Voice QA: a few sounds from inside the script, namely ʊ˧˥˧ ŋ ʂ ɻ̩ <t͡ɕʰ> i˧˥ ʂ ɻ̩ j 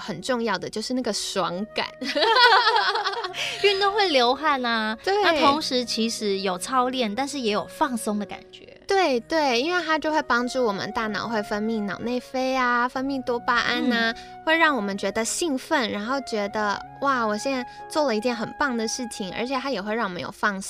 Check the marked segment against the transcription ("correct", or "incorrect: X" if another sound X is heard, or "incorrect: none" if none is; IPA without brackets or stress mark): correct